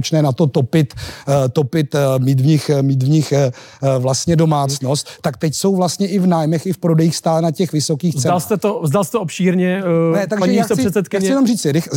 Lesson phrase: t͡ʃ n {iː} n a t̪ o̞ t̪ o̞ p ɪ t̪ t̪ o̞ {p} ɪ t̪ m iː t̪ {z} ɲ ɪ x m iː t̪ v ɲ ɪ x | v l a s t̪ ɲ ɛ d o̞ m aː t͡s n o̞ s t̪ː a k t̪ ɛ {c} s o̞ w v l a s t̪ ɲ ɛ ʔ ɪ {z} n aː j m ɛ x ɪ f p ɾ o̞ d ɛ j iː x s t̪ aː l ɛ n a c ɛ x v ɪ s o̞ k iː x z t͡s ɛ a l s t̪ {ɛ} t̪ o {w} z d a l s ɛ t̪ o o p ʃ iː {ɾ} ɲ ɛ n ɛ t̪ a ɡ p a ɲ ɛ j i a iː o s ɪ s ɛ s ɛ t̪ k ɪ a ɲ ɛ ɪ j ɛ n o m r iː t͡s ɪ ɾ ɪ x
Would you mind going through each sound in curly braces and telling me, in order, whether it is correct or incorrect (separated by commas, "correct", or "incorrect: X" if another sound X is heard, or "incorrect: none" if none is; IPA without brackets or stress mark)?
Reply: incorrect: ɛː, correct, incorrect: v, correct, incorrect: v, correct, incorrect: v, correct